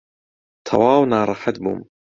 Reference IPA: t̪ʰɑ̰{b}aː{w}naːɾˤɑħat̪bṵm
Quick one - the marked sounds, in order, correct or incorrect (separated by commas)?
incorrect, correct